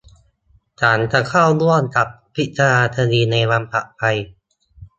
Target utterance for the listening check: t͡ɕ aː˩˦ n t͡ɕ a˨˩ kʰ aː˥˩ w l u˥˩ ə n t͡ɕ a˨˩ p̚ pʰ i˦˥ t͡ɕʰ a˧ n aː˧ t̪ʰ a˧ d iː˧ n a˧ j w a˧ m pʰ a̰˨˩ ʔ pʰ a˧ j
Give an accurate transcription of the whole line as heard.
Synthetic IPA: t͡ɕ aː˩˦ n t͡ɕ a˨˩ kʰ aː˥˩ w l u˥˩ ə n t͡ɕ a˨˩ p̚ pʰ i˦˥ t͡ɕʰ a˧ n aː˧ t̪ʰ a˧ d iː˧ n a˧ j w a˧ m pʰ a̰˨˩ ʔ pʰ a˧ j